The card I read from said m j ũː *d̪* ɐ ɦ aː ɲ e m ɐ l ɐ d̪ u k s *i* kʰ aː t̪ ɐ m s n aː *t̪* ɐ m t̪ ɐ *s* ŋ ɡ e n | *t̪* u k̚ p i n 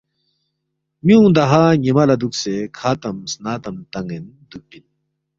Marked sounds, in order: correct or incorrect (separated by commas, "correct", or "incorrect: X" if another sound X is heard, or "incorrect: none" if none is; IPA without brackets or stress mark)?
correct, incorrect: e, correct, incorrect: none, incorrect: d̪